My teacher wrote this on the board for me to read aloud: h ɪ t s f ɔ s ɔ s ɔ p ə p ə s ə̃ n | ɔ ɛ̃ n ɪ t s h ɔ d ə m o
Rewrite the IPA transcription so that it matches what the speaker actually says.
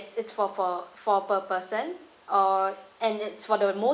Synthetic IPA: s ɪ t s f ɔ f ɔ f ɔ p ə p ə s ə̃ n | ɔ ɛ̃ n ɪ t s f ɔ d ə m o